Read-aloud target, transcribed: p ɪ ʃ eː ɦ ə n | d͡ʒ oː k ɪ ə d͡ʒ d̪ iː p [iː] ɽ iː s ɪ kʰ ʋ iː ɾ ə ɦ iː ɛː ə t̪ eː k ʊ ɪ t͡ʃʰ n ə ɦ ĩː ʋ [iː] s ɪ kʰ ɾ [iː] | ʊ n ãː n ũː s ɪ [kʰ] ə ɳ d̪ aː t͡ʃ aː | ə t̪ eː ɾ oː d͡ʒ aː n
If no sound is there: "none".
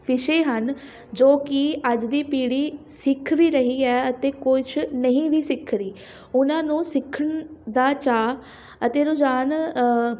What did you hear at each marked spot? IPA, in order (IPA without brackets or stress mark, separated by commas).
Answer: iː, iː, iː, kʰ